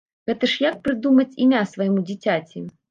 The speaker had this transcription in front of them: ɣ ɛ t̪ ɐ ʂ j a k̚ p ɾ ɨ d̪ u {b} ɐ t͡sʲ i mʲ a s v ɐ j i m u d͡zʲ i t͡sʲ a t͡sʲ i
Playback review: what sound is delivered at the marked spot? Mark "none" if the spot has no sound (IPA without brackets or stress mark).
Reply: m